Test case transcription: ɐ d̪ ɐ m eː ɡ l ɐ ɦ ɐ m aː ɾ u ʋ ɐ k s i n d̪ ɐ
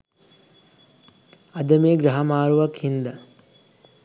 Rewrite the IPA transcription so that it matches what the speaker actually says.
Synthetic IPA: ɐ d̪ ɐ m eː ɡ ɾ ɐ ɦ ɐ m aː ɾ u ʋ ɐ k h i n d̪ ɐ